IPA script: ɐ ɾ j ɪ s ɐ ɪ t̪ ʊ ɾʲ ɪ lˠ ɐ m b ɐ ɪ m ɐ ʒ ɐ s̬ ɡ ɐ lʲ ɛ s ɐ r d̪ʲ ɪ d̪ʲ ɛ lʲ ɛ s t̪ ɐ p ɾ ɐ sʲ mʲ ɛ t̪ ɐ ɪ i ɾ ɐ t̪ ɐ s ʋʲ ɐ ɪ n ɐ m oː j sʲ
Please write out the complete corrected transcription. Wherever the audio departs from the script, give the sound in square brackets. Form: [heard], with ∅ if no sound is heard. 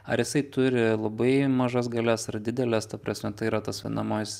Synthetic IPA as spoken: ɐ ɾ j ɪ s ɐ ɪ t̪ ʊ ɾʲ ɪ lˠ ɐ [∅] b ɐ ɪ m ɐ ʒ ɐ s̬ ɡ ɐ lʲ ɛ s ɐ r d̪ʲ ɪ d̪ʲ ɛ lʲ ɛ s t̪ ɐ p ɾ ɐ sʲ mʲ ɛ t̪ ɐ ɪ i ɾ ɐ t̪ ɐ s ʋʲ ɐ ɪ n ɐ m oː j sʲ